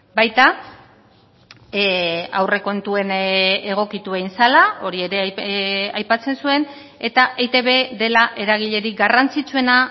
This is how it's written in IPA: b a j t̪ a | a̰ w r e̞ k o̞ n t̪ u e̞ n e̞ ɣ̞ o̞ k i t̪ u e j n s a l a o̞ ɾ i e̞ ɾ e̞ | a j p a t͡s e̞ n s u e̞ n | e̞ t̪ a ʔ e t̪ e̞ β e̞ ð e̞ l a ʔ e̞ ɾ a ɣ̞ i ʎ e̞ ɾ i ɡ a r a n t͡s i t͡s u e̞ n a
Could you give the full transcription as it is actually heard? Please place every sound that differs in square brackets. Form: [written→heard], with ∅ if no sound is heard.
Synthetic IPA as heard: b a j t̪ a | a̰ w r e̞ k o̞ n t̪ u e̞ n e̞ ɣ̞ o̞ k i t̪ u e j n s a l a o̞ ɾ i e̞ ɾ e̞ | a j p a t͡s e̞ n s u e̞ n | e̞ t̪ a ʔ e t̪ e̞ β e̞ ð e̞ l a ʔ e̞ ɾ a ɣ̞ i ʎ e̞ ɾ i ɡ a r a n t͡s i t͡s u e̞ n a